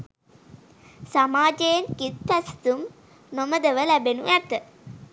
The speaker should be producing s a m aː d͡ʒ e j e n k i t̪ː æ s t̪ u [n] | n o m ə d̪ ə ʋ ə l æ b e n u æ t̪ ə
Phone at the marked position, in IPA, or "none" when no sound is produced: m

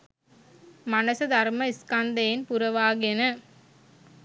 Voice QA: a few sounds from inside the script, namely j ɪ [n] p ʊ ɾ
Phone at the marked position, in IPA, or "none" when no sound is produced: n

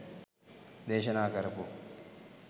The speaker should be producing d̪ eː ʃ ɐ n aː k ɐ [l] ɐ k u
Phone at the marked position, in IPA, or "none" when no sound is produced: ɾ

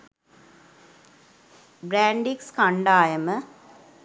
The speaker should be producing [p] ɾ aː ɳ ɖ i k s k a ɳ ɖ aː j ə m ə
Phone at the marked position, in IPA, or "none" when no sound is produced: b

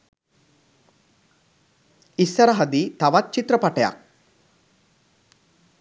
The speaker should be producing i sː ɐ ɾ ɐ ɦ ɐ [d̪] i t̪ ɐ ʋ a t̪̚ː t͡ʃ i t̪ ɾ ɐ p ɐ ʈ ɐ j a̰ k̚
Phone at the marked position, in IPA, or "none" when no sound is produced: d̪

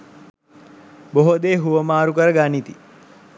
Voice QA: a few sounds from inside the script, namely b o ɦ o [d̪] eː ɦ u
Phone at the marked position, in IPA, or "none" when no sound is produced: d̪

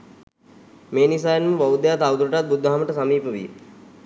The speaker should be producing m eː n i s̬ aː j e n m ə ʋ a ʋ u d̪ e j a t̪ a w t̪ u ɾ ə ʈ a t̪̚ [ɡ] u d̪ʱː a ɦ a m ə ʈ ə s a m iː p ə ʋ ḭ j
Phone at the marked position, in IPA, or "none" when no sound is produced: b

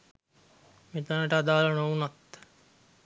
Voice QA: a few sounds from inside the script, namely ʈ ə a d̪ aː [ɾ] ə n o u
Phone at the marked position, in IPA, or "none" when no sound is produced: l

